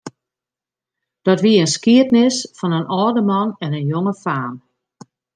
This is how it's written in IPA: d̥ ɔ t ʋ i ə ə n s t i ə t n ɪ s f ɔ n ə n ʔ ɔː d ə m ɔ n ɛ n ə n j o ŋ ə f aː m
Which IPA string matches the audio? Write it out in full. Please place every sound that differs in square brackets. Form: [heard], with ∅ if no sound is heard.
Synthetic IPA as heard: d̥ ɔ t ʋ i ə ə n s [k] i ə t n ɪ s f ɔ n ə n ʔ ɔː d ə m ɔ n ɛ n ə n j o ŋ ə f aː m